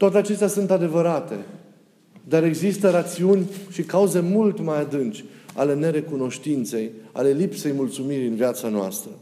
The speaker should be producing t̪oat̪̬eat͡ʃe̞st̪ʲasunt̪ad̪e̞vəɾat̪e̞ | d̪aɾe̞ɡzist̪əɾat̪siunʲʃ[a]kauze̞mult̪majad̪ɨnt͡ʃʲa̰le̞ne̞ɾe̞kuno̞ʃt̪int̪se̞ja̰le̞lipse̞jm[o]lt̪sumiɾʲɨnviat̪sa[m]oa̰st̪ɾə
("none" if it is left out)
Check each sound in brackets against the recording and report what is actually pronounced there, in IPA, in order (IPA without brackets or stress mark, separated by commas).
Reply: i, u, n